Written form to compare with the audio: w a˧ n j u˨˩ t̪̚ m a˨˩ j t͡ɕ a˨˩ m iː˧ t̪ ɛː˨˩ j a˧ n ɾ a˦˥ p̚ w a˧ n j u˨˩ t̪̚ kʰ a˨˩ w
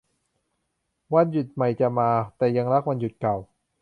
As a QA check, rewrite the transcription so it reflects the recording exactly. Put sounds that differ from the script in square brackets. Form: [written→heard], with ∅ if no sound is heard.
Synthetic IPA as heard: w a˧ n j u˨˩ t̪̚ m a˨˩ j t͡ɕ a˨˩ m [iː˧→aː˧] t̪ ɛː˨˩ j a˧ [n→ŋ] ɾ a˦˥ [p̚→k̚] w a˧ n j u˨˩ t̪̚ [kʰ→k] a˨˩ w